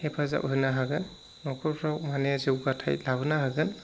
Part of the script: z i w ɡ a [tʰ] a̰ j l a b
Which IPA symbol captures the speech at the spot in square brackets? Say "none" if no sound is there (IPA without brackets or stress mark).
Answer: tʰ